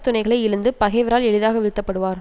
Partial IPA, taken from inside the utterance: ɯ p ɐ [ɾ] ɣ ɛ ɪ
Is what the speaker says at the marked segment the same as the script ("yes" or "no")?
no